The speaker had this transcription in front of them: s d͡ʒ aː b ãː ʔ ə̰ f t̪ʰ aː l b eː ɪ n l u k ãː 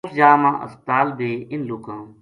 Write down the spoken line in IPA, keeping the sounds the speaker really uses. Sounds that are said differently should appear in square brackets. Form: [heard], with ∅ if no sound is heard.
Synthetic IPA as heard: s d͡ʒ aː [m] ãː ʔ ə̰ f [t̪] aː l b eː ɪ n l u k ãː